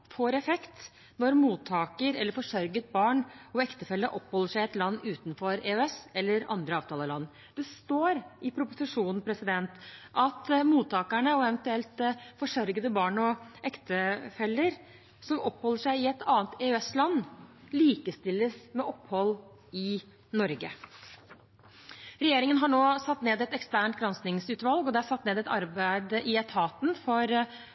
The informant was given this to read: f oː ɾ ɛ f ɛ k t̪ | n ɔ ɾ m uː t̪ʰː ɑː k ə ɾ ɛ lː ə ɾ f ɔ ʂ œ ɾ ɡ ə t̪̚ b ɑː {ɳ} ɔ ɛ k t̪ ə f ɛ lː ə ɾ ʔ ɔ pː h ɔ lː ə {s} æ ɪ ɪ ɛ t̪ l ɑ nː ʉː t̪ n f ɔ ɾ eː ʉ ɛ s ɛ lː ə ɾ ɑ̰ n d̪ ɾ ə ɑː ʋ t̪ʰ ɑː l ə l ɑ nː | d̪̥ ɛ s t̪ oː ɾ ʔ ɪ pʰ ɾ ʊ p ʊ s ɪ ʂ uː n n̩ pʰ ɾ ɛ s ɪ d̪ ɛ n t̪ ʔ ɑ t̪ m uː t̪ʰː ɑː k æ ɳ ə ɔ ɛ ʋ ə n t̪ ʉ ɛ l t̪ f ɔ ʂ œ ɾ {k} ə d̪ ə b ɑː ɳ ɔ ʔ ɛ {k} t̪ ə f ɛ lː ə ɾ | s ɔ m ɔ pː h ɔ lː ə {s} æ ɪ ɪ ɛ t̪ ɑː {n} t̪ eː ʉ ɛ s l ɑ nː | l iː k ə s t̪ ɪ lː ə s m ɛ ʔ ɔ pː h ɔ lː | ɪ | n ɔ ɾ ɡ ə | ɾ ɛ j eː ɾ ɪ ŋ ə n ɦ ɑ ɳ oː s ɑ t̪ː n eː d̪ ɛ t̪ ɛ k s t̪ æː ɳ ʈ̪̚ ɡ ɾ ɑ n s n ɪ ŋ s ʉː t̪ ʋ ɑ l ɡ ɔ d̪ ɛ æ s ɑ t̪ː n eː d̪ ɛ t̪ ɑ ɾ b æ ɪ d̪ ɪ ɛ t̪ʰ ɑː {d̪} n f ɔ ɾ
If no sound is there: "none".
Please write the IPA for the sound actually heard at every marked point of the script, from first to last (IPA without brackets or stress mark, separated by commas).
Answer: ɳ, ʂ, ɡ, k, ʂ, n, t̪